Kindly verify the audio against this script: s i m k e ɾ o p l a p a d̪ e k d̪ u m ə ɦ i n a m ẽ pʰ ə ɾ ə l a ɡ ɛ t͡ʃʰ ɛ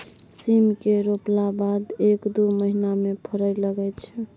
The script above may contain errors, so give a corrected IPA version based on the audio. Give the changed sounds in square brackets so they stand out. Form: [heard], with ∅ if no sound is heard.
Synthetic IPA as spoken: s i m k e ɾ o p l a [b] a d̪ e k d̪ u m ə ɦ i n a m [e] pʰ ə ɾ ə l [ə] ɡ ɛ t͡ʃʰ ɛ